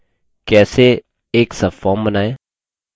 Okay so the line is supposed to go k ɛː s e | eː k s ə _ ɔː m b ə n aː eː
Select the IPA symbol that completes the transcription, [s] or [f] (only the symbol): f